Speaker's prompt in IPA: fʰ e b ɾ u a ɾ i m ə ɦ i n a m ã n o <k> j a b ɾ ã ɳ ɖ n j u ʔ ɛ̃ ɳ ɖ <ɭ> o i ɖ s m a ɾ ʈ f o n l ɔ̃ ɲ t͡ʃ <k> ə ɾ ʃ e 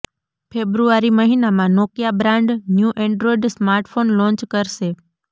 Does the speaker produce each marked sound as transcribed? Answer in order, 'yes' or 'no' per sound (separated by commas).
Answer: yes, no, yes